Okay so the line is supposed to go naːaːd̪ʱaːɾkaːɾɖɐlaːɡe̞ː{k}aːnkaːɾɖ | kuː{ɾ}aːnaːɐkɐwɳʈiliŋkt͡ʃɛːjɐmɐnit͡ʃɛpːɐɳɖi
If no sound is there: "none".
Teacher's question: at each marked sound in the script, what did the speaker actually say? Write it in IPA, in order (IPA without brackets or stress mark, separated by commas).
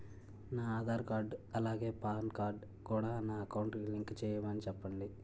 p, ɽ